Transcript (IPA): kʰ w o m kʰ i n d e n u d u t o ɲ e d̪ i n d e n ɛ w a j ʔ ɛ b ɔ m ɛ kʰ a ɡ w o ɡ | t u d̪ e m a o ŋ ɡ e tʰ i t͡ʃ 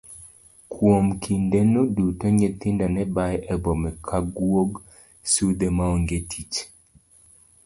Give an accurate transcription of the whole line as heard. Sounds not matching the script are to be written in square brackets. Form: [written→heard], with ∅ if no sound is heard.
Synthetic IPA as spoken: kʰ w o m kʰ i n d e n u d u t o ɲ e [d̪→t̪] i n d [e→a] n ɛ [w→b] a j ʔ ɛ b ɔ m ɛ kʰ a ɡ w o ɡ | [t→s] u d̪ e m a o ŋ ɡ e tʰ i t͡ʃ